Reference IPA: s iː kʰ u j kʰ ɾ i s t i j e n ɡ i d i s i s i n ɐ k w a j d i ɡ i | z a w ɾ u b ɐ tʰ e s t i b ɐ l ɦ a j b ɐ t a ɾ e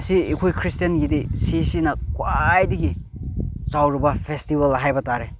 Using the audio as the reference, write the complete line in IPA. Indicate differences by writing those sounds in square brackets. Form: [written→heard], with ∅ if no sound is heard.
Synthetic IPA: s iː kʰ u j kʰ ɾ i s t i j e n ɡ i d i s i s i n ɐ k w a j d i ɡ i | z a w ɾ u b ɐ [tʰ→pʰ] e s t i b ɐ l ɦ a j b ɐ t a ɾ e